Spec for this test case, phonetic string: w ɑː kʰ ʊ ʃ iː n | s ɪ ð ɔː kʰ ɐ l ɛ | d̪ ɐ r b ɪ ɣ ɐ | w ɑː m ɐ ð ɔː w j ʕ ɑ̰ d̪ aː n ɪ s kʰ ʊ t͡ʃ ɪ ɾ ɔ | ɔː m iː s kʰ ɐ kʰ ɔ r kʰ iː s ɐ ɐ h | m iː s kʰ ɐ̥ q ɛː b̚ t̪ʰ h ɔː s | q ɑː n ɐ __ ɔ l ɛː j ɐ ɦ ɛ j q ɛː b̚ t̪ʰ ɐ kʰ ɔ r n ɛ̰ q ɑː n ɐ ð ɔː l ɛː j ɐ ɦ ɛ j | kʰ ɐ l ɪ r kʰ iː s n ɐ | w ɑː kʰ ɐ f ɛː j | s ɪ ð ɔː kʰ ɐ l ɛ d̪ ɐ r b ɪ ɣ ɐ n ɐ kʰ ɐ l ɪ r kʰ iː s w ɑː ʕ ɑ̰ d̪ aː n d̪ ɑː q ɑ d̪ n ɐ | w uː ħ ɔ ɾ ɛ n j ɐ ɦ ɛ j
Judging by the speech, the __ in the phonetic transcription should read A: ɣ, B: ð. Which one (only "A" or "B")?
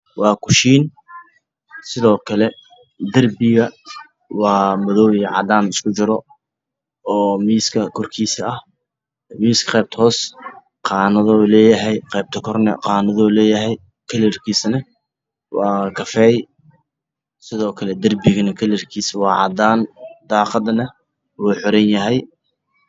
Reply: B